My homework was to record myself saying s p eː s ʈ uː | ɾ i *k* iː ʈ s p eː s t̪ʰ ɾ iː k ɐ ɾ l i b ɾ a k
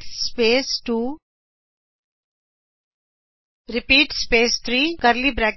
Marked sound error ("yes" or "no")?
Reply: yes